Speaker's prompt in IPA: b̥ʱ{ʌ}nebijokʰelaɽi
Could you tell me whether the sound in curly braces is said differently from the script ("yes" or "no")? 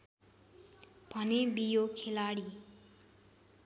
no